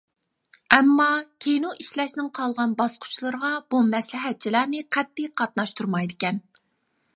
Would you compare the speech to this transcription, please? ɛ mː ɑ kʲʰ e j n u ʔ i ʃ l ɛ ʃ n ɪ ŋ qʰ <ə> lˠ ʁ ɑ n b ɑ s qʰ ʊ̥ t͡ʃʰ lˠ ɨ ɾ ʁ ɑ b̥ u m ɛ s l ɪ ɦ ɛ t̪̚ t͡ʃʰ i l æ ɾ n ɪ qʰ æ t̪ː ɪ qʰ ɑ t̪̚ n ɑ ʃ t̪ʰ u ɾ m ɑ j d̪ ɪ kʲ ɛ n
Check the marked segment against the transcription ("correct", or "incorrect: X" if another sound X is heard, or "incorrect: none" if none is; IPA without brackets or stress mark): incorrect: ɑ